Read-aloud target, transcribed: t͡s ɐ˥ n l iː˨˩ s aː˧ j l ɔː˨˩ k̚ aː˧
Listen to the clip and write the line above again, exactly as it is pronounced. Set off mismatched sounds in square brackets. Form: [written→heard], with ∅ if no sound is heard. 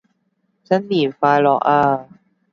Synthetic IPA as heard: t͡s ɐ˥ n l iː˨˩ [s→f] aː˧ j l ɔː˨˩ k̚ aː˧